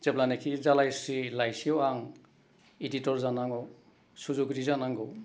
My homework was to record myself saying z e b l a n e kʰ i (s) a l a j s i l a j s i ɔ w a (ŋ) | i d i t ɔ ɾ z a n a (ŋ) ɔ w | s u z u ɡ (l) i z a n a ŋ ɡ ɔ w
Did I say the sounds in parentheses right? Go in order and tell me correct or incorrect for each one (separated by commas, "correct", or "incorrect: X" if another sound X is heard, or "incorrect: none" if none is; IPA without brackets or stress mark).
incorrect: z, correct, correct, incorrect: ɾ